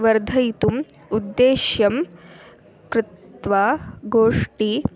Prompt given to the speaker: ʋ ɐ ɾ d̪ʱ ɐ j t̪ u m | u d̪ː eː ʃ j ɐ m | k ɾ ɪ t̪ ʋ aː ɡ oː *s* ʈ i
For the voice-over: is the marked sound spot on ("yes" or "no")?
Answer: no